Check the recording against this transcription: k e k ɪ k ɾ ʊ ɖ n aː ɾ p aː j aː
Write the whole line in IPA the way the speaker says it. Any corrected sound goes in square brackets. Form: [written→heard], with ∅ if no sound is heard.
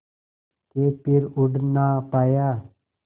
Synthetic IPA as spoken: k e [k→p] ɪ [k→∅] ɾ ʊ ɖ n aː [ɾ→∅] p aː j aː